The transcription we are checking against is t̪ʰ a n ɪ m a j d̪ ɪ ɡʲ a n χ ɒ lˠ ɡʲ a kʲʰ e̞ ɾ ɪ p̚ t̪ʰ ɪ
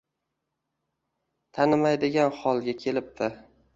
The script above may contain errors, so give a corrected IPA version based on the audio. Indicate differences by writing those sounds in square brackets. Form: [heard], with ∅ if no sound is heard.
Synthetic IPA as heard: t̪ʰ a n ɪ m a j d̪ ɪ ɡʲ a n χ ɒ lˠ ɡʲ a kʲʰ e̞ [l] ɪ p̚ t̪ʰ ɪ